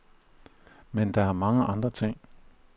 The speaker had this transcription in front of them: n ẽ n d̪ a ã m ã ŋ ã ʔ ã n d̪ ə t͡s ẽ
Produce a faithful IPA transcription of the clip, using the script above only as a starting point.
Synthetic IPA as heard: m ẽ n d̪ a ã m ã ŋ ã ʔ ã n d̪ a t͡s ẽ